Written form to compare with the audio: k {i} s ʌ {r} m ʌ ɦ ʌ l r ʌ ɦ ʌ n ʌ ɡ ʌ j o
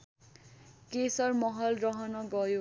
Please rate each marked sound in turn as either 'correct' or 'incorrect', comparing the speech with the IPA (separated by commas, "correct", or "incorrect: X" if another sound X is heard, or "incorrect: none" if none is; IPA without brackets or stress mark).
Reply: incorrect: e, correct